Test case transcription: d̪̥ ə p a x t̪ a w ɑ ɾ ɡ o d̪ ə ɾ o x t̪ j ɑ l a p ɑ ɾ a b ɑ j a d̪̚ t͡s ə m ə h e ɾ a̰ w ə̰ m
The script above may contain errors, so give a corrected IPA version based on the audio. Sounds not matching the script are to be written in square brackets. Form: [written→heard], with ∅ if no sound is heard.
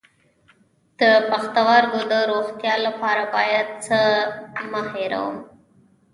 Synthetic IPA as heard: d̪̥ ə p a x t̪ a w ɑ ɾ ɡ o d̪ ə ɾ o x t̪ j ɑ l a p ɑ ɾ a b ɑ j a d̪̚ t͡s ə m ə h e ɾ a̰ w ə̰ m